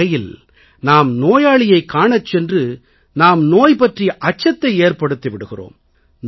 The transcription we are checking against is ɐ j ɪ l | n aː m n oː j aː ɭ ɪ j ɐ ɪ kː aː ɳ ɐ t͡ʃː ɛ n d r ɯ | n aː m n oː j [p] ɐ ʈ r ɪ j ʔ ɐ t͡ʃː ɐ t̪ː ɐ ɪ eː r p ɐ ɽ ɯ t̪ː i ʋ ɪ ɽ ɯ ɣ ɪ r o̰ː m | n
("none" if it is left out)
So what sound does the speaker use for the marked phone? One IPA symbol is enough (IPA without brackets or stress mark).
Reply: p